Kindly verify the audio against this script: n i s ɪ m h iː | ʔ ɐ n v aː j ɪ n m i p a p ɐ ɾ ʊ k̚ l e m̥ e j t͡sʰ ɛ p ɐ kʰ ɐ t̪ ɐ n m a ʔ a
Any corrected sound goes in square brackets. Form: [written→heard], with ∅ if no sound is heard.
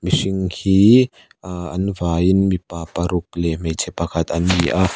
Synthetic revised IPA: [n→m] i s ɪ [m→ŋ] h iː | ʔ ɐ n v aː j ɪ n m i p a p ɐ ɾ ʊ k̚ l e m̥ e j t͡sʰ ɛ p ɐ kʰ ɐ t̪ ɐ n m [a→i] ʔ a